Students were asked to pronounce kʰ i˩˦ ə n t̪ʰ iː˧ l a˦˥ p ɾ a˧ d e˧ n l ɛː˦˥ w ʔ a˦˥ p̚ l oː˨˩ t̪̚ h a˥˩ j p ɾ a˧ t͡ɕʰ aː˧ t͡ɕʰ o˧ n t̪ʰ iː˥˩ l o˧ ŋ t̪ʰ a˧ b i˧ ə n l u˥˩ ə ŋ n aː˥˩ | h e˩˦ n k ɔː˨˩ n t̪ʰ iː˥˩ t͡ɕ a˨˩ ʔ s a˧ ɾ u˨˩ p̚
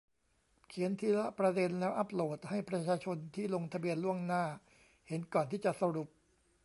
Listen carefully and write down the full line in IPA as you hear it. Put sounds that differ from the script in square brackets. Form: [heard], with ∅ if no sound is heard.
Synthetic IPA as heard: kʰ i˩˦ ə n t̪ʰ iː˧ l a˦˥ p ɾ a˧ d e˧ n l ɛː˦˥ w ʔ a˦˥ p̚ l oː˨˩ t̪̚ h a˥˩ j p ɾ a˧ t͡ɕʰ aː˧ t͡ɕʰ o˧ n t̪ʰ iː˥˩ l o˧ ŋ t̪ʰ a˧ b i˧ ə n l u˥˩ ə ŋ n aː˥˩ | h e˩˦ n k ɔː˨˩ n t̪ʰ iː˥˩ t͡ɕ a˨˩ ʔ s a˧ ɾ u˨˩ p̚